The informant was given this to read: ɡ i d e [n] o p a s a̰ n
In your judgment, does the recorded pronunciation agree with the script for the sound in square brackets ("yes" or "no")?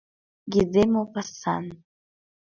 no